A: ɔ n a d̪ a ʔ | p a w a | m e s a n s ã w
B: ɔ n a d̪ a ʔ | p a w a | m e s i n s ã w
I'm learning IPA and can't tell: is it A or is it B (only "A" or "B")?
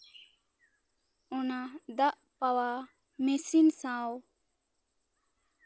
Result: B